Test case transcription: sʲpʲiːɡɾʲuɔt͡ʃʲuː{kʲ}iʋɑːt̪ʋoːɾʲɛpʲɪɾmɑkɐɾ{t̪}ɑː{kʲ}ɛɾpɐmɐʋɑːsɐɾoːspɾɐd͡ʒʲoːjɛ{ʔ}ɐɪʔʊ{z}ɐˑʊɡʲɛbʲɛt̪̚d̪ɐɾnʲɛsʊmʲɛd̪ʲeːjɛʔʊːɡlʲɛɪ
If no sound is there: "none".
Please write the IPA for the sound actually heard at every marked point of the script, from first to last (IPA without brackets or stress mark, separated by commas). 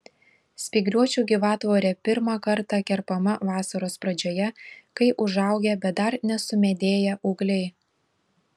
ɡʲ, t̪, kʲ, k, ʒ